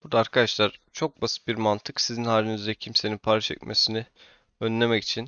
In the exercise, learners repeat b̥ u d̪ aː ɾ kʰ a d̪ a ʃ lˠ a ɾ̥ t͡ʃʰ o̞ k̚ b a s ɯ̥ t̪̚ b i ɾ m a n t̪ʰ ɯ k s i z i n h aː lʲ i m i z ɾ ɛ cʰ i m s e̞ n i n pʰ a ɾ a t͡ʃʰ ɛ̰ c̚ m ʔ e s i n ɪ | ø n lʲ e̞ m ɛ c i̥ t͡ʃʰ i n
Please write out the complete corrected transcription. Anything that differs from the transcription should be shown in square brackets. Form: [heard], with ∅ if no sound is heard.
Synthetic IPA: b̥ u d̪ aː ɾ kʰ a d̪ a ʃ lˠ a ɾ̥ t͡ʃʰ o̞ k̚ b a s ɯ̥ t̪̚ b i ɾ m a n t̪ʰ ɯ k s i z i n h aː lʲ i [n] i z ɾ ɛ cʰ i m s e̞ n i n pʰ a ɾ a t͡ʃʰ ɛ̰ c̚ m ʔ e s i n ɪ | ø n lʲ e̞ m ɛ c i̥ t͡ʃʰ i n